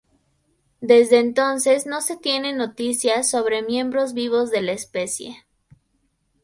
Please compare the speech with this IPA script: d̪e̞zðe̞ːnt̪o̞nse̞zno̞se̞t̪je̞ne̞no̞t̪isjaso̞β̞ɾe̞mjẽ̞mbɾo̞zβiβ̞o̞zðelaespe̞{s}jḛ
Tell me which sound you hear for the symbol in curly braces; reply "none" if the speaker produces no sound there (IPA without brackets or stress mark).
s